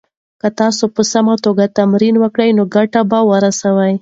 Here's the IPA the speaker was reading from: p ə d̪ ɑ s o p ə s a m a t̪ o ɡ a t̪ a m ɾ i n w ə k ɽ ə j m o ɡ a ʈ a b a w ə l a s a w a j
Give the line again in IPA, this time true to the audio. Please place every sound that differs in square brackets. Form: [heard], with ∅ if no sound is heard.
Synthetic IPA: [k] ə [t̪] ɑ s o p ə s a m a t̪ o ɡ a t̪ a m ɾ i n w ə k ɽ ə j [n] o ɡ a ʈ a b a w ə [ɾ] a s a w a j